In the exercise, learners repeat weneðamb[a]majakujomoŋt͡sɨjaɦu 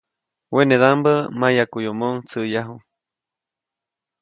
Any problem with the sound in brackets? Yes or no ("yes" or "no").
yes